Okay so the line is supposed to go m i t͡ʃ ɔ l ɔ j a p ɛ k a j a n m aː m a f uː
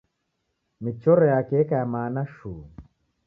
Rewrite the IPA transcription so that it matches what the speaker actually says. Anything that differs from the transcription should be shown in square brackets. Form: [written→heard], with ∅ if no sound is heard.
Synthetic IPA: m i t͡ʃ ɔ [l→ɾ] ɔ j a [p→k] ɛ k a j a [n→∅] m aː [m→n] a [f→ʃ] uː